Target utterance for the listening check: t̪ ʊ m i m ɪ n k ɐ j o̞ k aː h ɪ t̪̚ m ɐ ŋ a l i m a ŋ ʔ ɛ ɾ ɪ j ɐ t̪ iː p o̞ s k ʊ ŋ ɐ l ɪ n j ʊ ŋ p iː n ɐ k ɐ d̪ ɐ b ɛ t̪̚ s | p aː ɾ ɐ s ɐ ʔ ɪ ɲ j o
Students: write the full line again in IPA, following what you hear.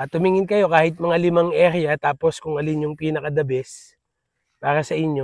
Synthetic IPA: t̪ ʊ m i ŋ ɪ n k ɐ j o̞ k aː h ɪ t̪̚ m ɐ ŋ a l ɪ m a ŋ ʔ ɛ ɾ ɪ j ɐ t̪ aː p o̞ s k ʊ ŋ ɐ l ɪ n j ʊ ŋ p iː n ɐ k ɐ d̪ ɐ b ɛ s | p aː ɾ ɐ s ɐ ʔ ɪ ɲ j o